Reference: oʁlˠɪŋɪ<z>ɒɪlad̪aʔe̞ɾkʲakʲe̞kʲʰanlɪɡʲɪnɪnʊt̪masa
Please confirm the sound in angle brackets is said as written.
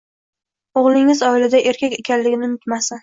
yes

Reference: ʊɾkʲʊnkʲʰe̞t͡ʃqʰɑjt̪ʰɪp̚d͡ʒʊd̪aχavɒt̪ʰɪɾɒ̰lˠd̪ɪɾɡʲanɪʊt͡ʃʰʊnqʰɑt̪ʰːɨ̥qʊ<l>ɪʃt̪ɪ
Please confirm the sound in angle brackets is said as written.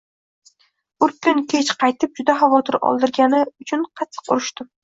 no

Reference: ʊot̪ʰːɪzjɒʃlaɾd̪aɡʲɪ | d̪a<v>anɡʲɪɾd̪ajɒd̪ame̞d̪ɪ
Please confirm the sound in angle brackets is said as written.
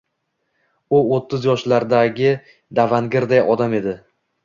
yes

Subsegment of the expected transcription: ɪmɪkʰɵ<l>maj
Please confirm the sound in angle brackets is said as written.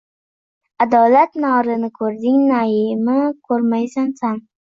no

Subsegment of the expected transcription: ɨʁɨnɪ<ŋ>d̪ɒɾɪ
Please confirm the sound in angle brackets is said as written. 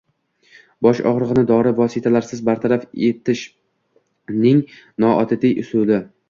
no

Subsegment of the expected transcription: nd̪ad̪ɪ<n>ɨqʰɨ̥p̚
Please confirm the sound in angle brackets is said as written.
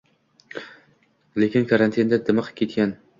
no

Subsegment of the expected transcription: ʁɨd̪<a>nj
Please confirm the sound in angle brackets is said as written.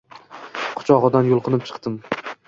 yes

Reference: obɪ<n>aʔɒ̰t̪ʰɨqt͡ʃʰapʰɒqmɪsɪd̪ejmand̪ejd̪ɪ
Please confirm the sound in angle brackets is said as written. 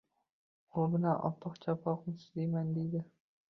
yes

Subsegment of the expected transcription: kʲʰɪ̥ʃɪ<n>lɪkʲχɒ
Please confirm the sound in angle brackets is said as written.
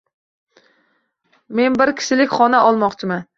no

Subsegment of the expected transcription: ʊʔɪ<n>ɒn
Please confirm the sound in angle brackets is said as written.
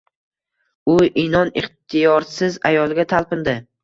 yes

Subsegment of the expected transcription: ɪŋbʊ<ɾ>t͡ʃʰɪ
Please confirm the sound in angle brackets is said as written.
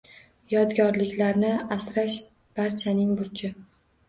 yes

